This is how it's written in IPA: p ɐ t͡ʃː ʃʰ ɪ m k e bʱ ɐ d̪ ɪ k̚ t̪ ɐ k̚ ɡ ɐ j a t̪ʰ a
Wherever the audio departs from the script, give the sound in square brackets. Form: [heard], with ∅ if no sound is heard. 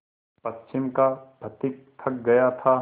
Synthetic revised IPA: p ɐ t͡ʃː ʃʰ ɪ m k [a] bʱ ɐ [t̪] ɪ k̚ [t̪ʰ] ɐ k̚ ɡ ɐ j a t̪ʰ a